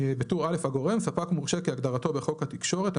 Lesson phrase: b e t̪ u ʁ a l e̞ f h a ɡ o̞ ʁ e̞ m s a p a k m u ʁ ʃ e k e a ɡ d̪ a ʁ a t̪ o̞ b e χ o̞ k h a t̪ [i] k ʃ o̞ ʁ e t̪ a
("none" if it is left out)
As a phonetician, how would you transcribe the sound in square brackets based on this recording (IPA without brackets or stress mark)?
i